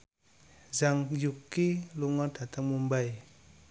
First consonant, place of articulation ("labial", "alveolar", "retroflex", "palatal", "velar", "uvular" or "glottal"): alveolar